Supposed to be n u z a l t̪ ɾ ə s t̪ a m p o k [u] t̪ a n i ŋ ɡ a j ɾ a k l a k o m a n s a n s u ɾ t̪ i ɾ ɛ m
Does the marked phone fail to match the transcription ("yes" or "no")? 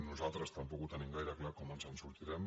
no